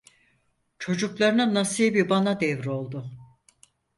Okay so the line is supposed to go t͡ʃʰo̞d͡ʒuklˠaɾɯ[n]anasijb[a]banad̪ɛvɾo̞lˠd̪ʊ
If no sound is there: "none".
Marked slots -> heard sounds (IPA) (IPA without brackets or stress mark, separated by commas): n, i